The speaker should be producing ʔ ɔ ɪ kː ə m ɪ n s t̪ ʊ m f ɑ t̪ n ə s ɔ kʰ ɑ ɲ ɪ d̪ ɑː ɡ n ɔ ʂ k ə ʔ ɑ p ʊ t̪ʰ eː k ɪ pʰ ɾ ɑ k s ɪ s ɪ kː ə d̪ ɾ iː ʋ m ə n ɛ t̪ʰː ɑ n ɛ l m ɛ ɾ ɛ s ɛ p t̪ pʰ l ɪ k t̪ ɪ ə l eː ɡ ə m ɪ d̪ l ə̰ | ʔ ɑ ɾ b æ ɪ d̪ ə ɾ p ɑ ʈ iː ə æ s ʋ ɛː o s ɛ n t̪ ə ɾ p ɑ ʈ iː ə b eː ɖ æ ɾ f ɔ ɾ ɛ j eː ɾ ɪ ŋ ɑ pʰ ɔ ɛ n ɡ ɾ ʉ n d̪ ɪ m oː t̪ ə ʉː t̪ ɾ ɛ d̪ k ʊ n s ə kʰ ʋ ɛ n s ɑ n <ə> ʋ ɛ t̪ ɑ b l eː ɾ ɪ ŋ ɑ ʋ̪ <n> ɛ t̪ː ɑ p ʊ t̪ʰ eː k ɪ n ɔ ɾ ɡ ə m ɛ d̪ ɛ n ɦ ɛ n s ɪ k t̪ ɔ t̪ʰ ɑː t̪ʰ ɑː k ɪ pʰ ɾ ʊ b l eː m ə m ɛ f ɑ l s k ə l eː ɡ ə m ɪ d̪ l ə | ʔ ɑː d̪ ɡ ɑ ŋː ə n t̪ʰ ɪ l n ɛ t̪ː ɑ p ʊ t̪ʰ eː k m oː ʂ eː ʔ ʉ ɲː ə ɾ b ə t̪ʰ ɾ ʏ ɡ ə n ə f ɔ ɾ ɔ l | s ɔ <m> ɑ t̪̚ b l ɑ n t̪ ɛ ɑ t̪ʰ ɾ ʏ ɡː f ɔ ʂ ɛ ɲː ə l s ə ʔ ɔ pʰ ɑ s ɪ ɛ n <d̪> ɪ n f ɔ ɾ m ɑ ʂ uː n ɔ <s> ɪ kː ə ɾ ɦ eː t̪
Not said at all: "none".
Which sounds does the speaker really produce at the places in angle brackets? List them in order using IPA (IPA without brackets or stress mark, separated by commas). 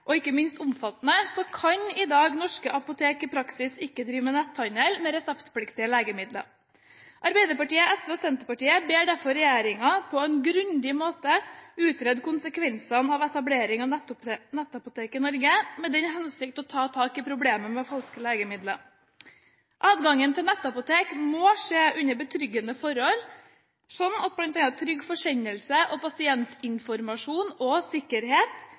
ɑ, n, n, t̪, s